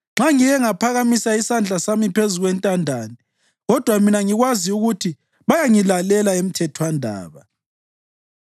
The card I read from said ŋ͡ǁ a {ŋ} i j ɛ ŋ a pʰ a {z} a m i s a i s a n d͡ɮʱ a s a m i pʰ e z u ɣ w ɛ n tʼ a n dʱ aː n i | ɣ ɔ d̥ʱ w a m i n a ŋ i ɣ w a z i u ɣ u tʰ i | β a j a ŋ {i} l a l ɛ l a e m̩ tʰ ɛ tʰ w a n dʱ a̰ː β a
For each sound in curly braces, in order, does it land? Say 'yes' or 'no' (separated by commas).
yes, no, yes